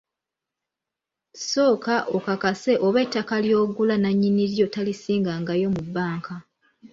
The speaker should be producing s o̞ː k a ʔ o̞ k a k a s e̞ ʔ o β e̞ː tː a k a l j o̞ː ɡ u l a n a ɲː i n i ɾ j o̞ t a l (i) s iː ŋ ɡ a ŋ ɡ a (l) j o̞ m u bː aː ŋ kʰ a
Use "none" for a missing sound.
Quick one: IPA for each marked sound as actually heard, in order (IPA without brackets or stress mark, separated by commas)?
i, none